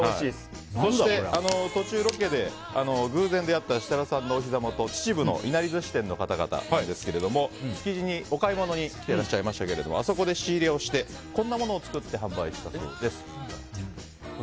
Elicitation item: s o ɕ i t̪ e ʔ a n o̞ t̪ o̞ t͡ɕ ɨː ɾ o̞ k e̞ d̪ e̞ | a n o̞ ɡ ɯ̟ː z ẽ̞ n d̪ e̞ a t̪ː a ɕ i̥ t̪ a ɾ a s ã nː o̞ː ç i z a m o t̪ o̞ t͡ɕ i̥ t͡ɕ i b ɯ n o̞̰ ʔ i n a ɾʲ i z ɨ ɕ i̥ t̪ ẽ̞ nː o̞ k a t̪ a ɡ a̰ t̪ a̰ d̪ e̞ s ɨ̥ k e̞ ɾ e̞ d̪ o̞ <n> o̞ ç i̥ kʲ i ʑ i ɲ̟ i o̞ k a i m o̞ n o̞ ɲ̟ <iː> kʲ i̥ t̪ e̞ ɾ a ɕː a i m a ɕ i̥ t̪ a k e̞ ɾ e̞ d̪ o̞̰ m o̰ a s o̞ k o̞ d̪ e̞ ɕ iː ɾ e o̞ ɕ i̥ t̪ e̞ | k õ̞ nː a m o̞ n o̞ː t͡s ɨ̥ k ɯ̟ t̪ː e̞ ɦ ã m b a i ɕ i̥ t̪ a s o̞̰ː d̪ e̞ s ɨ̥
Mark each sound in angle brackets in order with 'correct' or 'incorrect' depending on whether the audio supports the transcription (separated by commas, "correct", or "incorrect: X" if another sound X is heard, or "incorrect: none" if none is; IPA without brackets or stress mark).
incorrect: m, incorrect: i